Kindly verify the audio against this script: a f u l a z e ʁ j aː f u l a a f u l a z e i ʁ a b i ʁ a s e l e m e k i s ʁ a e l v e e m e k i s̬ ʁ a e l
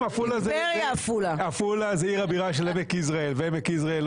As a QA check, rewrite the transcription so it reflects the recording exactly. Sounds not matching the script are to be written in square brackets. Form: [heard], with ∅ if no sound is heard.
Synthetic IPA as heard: a f u l a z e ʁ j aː f u l a a f u l a z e i ʁ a b i ʁ a [ʃ] e l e m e k i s ʁ a e l v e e m e k i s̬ ʁ a e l